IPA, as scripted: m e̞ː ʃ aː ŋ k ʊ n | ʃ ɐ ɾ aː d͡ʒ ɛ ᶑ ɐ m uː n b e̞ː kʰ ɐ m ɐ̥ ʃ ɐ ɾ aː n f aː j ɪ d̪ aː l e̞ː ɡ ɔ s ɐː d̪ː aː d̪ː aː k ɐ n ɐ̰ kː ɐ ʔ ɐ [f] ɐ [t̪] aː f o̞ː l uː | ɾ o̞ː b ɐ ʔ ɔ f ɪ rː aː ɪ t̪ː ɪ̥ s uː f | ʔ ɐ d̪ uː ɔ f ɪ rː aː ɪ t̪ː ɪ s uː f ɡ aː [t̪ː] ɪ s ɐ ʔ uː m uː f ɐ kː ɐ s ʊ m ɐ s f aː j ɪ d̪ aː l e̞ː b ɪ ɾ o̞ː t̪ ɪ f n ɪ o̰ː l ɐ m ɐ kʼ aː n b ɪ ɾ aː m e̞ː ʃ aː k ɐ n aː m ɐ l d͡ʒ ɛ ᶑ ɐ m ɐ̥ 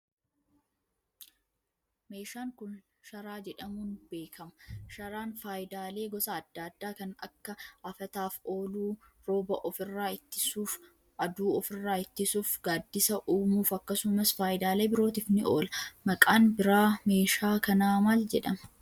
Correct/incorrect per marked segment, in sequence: correct, correct, incorrect: d̪ː

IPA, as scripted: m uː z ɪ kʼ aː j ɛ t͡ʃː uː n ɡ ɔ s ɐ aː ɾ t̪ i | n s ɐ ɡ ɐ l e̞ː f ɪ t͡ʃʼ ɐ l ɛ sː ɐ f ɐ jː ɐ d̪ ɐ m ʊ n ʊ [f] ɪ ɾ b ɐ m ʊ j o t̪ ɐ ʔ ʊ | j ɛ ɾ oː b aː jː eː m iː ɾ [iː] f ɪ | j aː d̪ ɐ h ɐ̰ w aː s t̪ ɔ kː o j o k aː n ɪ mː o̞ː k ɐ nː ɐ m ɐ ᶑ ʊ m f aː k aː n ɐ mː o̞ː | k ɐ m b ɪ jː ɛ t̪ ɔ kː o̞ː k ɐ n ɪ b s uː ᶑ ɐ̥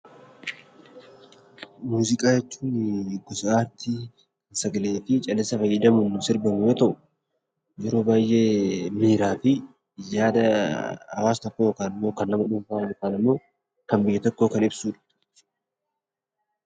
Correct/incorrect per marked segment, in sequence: incorrect: s, incorrect: aː

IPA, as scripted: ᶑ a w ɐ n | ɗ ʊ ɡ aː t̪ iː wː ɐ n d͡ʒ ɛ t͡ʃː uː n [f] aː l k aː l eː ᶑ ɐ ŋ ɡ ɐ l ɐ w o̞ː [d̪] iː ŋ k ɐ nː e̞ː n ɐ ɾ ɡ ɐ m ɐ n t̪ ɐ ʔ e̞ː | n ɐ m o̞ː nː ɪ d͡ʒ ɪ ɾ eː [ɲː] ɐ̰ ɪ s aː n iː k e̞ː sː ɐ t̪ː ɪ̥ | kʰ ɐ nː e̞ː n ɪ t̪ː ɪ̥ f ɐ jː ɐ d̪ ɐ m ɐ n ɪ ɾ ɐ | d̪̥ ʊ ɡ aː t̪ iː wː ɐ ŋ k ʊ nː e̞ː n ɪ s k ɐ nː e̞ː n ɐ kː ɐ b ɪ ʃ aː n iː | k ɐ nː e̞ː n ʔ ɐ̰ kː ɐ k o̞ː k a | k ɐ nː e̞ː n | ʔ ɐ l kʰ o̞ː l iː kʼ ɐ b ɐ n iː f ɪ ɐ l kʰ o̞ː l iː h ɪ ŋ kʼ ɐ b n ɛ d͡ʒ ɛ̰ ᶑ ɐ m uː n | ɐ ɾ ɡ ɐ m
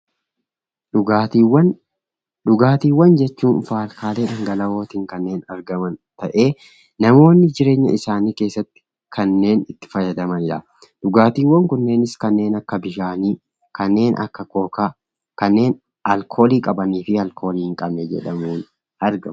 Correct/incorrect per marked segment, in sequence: correct, incorrect: t̪, correct

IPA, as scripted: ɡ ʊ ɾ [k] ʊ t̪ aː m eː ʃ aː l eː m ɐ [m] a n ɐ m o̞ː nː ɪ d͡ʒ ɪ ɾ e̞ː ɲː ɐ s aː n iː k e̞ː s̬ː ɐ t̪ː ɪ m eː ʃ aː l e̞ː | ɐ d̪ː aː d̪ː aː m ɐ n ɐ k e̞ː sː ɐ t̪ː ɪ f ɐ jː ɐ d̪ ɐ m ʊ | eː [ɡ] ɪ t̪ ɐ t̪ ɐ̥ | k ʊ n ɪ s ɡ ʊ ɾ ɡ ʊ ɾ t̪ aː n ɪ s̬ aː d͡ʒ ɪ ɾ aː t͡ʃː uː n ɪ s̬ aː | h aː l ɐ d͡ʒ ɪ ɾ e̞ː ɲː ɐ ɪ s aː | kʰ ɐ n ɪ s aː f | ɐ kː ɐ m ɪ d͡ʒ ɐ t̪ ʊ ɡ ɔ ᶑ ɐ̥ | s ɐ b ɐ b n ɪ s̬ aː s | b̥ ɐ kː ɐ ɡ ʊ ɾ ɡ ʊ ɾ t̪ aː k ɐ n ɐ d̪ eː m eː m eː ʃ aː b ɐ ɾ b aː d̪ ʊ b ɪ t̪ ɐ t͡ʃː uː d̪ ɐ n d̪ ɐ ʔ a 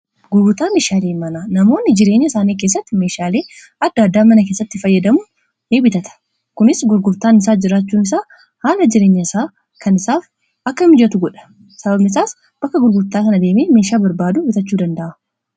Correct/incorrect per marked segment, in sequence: incorrect: ɡ, incorrect: n, incorrect: b

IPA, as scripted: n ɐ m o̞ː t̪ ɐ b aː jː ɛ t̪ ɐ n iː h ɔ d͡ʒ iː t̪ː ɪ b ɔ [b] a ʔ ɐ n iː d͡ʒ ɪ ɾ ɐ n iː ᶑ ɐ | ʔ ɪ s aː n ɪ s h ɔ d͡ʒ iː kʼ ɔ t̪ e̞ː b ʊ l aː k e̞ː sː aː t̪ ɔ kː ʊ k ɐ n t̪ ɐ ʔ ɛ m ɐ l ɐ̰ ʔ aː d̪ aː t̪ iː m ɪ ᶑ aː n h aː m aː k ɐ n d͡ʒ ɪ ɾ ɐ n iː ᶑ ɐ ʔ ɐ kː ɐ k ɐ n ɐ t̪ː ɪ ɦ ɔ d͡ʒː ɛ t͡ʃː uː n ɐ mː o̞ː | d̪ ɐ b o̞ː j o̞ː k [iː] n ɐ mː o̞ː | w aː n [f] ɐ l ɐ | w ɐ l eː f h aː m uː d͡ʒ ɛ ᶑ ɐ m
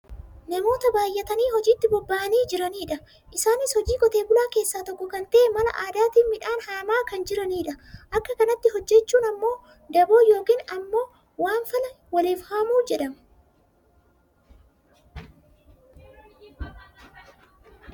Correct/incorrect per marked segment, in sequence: incorrect: bː, correct, correct

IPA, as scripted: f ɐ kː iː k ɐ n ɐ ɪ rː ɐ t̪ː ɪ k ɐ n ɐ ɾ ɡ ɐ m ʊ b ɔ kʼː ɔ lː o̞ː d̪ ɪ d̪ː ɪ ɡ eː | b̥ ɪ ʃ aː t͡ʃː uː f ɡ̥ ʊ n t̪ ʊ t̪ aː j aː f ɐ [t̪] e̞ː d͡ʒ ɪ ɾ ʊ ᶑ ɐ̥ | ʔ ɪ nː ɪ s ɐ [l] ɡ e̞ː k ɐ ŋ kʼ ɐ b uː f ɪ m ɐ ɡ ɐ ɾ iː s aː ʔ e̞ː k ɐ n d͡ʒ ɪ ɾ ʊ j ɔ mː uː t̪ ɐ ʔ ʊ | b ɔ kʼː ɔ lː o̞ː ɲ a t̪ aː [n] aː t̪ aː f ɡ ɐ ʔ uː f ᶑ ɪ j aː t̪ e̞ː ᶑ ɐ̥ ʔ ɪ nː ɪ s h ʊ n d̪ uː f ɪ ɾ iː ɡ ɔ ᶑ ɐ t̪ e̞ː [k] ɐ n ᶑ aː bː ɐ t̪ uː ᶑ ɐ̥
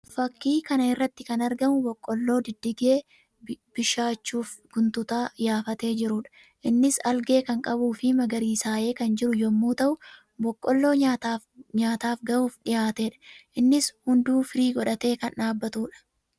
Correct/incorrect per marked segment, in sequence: correct, correct, incorrect: ɲ, correct

